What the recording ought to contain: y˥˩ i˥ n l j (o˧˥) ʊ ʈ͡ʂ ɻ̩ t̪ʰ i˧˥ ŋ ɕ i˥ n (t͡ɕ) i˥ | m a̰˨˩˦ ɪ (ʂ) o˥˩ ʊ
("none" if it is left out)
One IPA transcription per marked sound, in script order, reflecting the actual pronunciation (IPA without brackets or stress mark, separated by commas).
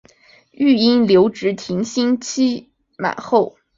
o˧˥, t͡ɕʰ, x